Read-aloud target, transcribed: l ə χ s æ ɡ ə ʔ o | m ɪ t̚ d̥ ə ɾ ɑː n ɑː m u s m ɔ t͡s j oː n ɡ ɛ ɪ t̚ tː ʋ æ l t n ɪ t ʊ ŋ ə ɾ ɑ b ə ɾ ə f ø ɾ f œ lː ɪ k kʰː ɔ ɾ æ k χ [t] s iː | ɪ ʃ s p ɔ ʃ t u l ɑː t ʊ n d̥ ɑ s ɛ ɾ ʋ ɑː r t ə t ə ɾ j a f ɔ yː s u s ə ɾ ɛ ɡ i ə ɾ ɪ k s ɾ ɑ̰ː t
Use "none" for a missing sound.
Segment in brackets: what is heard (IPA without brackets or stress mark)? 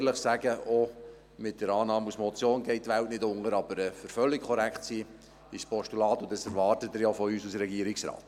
t